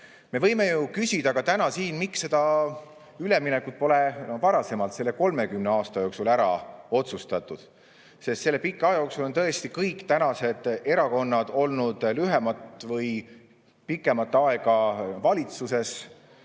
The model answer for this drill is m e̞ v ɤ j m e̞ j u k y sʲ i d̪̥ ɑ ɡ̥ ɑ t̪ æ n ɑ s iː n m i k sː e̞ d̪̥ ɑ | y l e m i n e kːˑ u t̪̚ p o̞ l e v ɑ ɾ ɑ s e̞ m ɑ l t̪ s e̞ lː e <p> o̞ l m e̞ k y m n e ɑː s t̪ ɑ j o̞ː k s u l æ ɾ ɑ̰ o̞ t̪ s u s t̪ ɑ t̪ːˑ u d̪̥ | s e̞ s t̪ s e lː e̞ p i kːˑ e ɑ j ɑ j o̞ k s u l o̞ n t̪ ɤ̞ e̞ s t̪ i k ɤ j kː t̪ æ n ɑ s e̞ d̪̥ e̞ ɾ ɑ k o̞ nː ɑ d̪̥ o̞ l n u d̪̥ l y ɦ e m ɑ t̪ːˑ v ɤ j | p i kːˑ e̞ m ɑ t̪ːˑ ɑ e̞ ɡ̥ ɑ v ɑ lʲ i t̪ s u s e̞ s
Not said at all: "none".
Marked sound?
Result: k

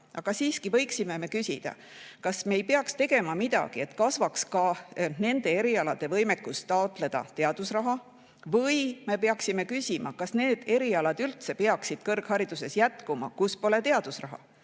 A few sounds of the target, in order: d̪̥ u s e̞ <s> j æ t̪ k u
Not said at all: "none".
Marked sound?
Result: s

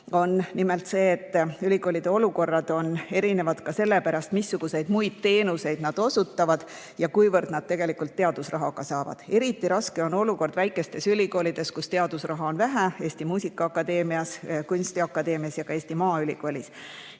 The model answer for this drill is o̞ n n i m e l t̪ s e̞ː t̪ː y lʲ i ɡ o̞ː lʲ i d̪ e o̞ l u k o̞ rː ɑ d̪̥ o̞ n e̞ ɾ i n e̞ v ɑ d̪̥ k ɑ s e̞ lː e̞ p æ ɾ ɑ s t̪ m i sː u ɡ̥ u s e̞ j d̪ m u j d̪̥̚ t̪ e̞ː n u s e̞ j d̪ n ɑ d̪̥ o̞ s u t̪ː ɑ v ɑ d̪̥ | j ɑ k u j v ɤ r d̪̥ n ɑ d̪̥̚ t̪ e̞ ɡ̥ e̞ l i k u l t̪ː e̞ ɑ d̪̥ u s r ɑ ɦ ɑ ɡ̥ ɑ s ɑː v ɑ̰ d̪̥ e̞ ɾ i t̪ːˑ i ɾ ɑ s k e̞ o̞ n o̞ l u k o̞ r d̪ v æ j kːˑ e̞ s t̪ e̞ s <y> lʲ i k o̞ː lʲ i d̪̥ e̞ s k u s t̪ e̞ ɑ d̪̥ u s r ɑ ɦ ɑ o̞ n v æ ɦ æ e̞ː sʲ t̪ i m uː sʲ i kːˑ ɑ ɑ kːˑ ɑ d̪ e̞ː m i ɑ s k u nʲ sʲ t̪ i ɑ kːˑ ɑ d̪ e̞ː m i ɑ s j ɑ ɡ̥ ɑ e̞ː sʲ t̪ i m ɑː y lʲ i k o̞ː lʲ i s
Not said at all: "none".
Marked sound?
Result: y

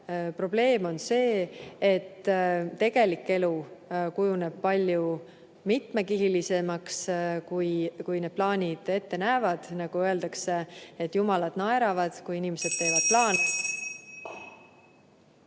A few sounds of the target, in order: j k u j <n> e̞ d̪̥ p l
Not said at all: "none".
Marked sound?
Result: n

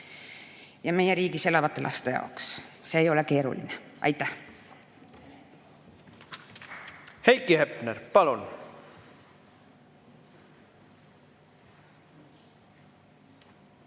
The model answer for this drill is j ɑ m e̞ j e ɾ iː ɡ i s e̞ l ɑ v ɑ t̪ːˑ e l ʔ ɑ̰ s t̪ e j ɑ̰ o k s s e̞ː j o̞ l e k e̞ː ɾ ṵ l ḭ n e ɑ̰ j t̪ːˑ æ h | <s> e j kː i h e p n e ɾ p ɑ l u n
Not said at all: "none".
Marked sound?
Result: h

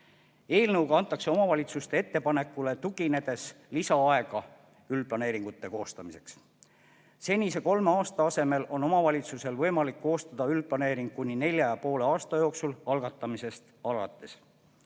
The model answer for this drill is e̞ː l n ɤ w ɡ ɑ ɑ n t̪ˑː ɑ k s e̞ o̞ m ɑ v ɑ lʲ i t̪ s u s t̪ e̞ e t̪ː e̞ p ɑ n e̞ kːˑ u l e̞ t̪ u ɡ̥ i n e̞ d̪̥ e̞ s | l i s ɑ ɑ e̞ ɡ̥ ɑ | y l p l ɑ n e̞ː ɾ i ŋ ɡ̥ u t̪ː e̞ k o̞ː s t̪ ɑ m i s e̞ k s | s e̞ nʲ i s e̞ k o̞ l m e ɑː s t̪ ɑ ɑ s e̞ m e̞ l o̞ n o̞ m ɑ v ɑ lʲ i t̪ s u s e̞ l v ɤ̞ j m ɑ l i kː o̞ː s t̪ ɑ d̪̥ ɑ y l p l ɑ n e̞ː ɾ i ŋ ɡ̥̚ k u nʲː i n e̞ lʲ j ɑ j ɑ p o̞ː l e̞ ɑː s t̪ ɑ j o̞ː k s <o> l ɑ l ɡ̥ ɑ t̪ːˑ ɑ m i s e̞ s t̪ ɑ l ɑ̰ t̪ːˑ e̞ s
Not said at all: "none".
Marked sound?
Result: u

